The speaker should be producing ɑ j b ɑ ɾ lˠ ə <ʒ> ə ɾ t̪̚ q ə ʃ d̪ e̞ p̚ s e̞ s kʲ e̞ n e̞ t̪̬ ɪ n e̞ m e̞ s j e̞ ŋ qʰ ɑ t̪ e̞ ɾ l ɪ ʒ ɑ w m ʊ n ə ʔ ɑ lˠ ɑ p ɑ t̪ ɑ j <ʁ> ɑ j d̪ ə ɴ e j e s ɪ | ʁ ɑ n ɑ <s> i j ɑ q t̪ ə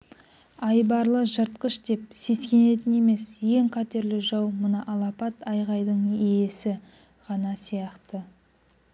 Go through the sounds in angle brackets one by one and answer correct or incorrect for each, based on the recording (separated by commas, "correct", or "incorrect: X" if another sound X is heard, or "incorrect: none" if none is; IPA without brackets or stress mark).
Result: correct, correct, correct